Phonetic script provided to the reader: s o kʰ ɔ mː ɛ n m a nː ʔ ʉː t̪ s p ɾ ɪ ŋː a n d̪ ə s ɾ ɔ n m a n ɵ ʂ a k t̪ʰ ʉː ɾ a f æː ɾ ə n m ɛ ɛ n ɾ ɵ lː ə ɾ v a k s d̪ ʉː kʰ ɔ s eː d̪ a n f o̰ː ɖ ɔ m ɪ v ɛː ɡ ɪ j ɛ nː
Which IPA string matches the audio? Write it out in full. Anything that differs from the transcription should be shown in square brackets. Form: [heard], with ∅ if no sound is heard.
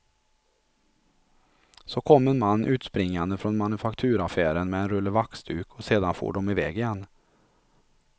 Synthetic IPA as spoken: s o kʰ ɔ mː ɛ n m a nː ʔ ʉː t̪ s p ɾ ɪ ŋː a n d̪ ə [f] ɾ ɔ n m a n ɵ [f] a k t̪ʰ ʉː ɾ a f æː ɾ ə n m ɛ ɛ n ɾ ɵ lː ə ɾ v a k s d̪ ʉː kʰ ɔ s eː d̪ a n f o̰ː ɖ ɔ m ɪ v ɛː ɡ ɪ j ɛ nː

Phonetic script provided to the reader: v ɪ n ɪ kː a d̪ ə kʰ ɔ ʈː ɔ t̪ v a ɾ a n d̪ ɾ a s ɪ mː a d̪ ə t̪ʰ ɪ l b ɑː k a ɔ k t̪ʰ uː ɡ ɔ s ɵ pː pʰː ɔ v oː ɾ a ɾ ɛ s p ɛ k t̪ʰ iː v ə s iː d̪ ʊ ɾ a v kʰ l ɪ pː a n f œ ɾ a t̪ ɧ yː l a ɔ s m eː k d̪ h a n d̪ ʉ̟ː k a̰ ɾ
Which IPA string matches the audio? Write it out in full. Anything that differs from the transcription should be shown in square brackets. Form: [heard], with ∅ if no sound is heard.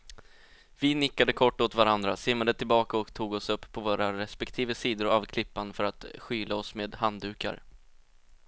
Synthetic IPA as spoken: v ɪ n ɪ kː a d̪ ə kʰ ɔ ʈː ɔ t̪ v a ɾ a n d̪ ɾ a s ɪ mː a d̪ ə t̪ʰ ɪ l b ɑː k a ɔ k t̪ʰ uː ɡ ɔ s ɵ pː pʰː ɔ v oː ɾ a ɾ ɛ s p ɛ k t̪ʰ iː v ə s iː d̪ ʊ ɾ a v kʰ l ɪ pː a n f œ ɾ a t̪ ɧ yː l a ɔ s m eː [∅] d̪ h a n d̪ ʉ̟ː k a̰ ɾ

